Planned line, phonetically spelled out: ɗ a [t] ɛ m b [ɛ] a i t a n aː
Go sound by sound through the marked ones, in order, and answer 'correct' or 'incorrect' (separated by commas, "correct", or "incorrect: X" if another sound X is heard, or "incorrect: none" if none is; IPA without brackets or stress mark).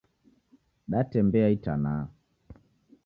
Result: correct, correct